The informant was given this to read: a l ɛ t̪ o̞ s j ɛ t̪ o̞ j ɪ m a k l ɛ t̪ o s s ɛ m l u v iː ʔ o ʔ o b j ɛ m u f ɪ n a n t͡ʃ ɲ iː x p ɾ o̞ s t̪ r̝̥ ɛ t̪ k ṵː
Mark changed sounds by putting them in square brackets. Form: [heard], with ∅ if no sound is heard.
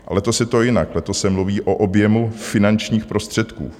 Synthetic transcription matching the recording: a l ɛ t̪ o̞ s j ɛ t̪ o̞ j ɪ [n] a k l ɛ t̪ o s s ɛ m l u v iː ʔ o ʔ o b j ɛ m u f ɪ n a n t͡ʃ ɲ iː x p ɾ o̞ s t̪ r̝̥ ɛ t̪ k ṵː

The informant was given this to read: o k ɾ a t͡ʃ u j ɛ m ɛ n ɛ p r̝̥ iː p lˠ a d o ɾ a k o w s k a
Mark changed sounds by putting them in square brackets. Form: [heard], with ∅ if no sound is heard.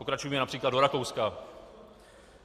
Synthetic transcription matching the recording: o k ɾ a t͡ʃ u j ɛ m ɛ n [a] p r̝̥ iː [k] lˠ a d o ɾ a k o w s k a

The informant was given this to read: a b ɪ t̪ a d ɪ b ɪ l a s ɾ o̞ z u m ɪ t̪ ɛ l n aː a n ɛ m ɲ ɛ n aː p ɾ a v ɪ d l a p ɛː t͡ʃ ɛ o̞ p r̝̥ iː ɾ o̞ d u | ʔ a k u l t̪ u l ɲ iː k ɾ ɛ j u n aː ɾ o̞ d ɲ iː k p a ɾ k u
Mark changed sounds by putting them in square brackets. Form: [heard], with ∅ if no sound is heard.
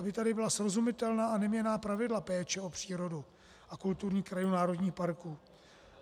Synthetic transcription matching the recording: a b ɪ t̪ a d ɪ b ɪ l a s ɾ o̞ z u m ɪ t̪ ɛ l n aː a n ɛ m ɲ ɛ n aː p ɾ a v ɪ d l a p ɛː t͡ʃ ɛ o̞ p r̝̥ iː ɾ o̞ d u | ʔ a k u l t̪ u [ɾ] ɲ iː k ɾ [a] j u n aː ɾ o̞ d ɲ iː [x] p a ɾ k [uː]

